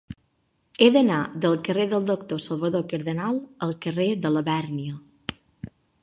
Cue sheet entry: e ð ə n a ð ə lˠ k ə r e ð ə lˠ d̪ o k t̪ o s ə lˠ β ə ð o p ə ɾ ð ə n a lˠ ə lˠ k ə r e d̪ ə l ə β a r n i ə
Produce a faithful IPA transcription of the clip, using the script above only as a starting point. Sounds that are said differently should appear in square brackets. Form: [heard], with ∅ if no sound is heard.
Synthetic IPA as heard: e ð ə n a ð ə lˠ k ə r e ð ə lˠ d̪ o k t̪ o s ə lˠ β ə ð o [k] ə ɾ ð ə n a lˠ ə lˠ k ə r e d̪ ə l ə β [ɛ] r n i ə